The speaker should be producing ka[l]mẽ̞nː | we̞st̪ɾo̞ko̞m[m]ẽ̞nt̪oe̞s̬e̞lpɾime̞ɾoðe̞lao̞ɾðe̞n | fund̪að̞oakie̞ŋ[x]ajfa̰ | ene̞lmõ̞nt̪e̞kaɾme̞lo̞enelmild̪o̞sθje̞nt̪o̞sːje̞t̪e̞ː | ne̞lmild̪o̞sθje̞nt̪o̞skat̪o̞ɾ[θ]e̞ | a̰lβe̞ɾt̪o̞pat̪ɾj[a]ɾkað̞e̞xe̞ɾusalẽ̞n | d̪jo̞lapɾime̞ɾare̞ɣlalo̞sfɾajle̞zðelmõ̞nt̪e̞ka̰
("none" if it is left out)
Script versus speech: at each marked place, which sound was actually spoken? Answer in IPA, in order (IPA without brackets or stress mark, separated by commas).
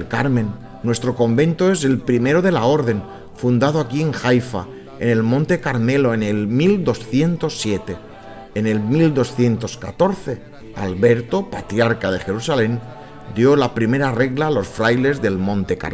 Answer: ɾ, b, x, θ, a